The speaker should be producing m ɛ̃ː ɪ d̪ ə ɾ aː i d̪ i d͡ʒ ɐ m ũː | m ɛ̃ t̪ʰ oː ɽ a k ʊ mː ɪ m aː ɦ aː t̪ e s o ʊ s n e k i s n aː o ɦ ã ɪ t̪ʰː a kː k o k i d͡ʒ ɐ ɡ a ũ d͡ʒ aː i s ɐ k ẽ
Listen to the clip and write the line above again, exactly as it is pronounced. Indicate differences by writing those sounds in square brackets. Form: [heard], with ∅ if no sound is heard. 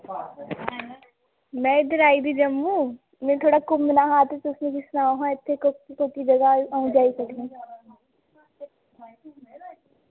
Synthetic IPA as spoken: m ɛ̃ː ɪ d̪ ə ɾ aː i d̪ i d͡ʒ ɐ m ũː | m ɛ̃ t̪ʰ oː ɽ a k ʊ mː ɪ [n] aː ɦ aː t̪ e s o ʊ s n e k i s n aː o ɦ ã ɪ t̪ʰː [e] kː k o k i d͡ʒ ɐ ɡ a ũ d͡ʒ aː i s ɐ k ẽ